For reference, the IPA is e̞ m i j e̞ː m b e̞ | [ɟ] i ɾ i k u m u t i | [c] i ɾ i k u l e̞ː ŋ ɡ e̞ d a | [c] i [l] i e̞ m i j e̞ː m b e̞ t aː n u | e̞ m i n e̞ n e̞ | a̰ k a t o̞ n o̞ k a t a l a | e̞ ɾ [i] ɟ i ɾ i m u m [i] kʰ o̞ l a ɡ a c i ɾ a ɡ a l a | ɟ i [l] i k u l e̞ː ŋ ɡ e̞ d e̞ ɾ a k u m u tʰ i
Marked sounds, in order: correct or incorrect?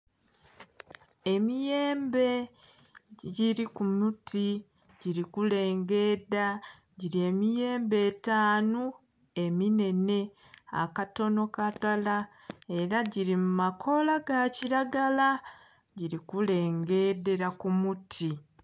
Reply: correct, incorrect: ɟ, incorrect: ɟ, incorrect: ɾ, incorrect: a, incorrect: a, incorrect: ɾ

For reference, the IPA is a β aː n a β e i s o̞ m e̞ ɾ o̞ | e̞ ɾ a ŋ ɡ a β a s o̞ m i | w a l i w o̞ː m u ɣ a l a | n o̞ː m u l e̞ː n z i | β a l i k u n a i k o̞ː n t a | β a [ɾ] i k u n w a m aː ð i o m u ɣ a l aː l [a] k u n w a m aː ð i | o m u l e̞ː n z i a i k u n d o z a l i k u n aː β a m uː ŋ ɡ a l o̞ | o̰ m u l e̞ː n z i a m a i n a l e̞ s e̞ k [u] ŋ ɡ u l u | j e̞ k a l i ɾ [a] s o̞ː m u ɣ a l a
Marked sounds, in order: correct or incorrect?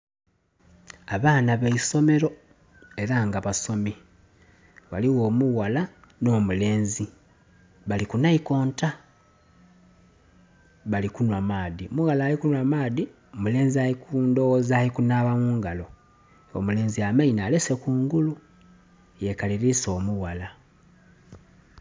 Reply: incorrect: l, incorrect: i, incorrect: uː, incorrect: i

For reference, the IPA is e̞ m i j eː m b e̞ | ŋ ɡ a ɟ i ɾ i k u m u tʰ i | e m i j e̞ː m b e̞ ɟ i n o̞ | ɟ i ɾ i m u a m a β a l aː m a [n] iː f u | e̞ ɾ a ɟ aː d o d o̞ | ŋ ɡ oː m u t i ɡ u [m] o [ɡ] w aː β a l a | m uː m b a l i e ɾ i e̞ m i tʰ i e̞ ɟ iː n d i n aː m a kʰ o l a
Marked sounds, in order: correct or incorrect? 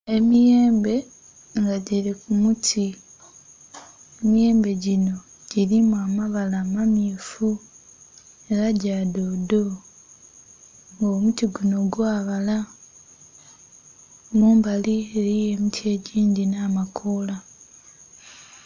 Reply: incorrect: m, incorrect: n, correct

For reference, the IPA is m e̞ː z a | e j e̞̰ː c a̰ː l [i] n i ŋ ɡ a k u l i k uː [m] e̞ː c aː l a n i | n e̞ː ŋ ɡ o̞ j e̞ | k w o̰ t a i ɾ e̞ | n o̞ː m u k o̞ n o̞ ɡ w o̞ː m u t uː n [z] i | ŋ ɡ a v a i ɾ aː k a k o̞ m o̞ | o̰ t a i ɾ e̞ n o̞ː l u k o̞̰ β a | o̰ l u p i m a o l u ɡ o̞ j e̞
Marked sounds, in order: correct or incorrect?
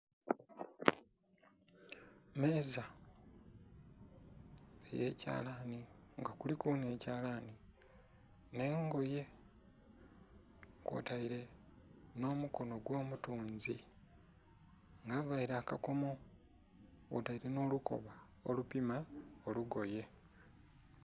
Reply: incorrect: a, incorrect: n, correct

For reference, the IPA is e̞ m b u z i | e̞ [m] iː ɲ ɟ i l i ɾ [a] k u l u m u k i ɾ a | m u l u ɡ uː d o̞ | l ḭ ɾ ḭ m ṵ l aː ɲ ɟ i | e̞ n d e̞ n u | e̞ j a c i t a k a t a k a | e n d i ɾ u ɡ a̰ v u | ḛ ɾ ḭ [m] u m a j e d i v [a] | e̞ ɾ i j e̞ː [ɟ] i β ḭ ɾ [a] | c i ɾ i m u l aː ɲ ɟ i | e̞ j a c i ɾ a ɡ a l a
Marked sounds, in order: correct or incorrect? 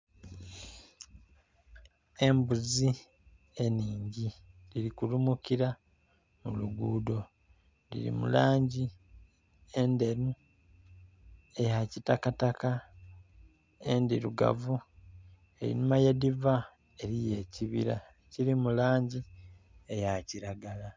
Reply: incorrect: n, incorrect: i, incorrect: n, correct, incorrect: c, correct

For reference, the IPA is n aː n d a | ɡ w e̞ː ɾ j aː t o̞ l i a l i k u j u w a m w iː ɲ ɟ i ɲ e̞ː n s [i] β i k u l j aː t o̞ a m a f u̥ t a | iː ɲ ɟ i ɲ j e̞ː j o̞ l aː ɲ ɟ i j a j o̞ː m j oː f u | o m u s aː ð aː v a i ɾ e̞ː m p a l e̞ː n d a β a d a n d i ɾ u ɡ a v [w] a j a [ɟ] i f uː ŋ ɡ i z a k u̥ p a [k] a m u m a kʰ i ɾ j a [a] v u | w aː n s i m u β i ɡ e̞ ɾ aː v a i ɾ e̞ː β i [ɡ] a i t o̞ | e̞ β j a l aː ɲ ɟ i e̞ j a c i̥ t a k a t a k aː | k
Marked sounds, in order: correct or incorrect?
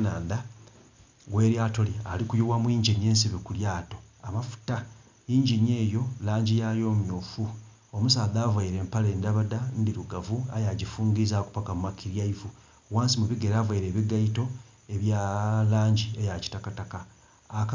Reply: correct, incorrect: u, correct, correct, incorrect: i, correct

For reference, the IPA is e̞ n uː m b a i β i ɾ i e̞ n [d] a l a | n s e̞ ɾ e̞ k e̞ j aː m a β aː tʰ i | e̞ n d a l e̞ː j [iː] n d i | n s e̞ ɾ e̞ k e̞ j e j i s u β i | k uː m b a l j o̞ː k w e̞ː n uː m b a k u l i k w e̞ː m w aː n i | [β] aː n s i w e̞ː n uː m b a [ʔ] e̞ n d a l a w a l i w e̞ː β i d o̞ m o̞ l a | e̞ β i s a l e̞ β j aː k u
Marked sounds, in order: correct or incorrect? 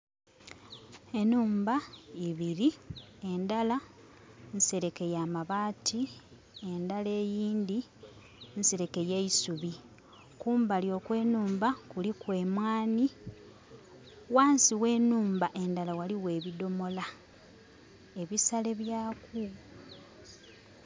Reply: correct, correct, incorrect: w, correct

